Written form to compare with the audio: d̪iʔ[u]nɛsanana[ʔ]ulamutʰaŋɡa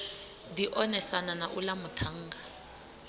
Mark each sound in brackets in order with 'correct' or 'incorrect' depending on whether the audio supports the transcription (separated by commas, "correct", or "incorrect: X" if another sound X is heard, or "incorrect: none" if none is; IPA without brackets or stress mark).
incorrect: ɔ, correct